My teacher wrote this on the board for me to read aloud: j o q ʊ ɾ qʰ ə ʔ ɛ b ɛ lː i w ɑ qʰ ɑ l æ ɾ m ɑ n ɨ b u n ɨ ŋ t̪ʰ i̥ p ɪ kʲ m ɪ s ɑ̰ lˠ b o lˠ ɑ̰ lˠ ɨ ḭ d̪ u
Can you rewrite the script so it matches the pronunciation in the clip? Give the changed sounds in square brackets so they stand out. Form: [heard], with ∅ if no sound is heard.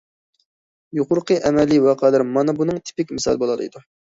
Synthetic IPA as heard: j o q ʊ ɾ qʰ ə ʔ ɛ [m] ɛ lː i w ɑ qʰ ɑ l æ ɾ m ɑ n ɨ b u n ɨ ŋ t̪ʰ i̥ p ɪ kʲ m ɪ s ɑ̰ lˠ b o lˠ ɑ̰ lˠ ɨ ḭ d̪ u